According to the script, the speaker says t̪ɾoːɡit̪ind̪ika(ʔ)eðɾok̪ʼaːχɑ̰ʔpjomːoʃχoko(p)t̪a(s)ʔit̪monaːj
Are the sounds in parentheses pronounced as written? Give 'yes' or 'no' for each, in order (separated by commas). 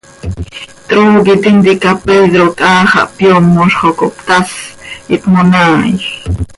no, yes, yes